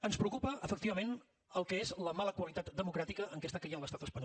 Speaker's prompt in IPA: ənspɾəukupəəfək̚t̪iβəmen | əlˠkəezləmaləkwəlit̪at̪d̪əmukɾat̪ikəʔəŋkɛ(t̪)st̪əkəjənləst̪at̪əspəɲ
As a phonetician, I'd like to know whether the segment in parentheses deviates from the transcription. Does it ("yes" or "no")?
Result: yes